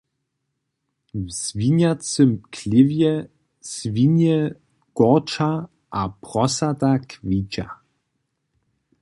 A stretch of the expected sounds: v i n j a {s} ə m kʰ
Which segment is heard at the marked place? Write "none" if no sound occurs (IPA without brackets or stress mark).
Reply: t͡s